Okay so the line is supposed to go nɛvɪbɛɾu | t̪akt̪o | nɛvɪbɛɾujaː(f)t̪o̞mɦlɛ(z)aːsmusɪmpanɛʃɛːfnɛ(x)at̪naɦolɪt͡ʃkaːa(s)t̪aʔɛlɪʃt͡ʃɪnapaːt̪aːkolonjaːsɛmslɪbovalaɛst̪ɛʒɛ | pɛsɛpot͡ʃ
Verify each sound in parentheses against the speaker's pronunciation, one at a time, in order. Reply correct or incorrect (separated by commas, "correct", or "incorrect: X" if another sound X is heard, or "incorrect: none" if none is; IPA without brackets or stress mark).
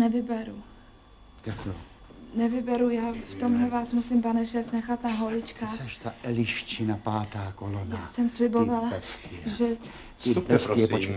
correct, incorrect: v, correct, incorrect: ʃ